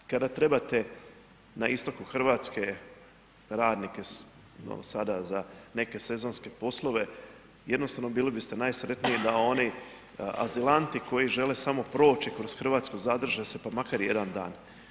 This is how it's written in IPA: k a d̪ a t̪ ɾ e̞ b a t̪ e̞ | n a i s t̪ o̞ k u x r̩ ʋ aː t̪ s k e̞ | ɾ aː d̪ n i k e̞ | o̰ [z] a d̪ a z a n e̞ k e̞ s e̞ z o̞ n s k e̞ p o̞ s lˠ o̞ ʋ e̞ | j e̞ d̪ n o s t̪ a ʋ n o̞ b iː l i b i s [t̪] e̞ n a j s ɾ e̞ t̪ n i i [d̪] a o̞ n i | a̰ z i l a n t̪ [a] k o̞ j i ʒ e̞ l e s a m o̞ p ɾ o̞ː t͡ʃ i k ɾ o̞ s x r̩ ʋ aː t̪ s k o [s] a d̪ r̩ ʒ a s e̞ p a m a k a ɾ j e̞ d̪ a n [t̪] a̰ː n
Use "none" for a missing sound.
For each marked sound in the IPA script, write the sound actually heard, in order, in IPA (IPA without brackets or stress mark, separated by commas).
s, t̪, d̪, i, z, d̪